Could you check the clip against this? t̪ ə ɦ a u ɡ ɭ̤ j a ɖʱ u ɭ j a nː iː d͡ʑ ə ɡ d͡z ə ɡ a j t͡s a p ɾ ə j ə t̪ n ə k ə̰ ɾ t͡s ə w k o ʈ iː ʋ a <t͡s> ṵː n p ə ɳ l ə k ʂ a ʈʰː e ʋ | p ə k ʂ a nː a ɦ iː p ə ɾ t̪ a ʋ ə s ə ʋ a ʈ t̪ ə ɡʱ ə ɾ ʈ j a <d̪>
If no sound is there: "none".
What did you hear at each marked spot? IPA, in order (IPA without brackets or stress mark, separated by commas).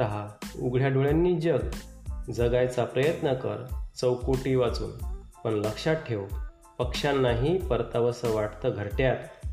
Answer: t͡s, t̪